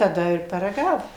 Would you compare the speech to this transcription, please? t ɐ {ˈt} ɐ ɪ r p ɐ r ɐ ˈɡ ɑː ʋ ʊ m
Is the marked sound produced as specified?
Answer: no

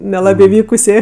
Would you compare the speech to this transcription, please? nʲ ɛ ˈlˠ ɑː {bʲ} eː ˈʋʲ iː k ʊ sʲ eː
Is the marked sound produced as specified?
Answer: yes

